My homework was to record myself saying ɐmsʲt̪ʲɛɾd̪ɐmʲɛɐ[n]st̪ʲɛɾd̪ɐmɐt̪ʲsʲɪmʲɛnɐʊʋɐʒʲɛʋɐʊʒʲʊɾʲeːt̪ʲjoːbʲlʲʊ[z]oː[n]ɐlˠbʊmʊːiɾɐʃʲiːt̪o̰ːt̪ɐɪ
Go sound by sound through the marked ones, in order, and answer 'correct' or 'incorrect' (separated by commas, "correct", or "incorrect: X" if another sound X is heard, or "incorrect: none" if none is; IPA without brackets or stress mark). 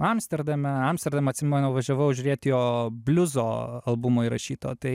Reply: incorrect: m, correct, incorrect: none